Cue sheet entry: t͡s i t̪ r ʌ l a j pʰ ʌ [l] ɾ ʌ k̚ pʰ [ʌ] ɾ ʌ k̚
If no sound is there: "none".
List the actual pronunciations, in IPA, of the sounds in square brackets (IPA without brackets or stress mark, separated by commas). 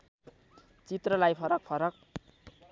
none, ʌ